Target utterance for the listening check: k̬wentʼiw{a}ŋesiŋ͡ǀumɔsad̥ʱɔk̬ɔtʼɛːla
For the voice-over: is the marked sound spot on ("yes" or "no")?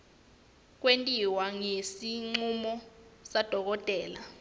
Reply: yes